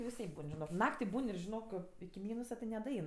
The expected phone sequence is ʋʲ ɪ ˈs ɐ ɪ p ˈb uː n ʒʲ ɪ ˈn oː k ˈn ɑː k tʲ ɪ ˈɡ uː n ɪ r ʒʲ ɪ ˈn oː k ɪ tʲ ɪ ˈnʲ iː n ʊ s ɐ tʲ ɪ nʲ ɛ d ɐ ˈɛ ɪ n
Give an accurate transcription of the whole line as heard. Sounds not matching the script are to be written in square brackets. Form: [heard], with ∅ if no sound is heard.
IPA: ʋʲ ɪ ˈs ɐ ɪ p ˈb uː n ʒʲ ɪ ˈn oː k ˈn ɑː k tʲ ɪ [ˈb] uː n ɪ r ʒʲ ɪ ˈn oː k ɪ [kʲ] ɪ [ˈmʲ] iː n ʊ s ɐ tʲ ɪ nʲ ɛ d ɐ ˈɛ ɪ n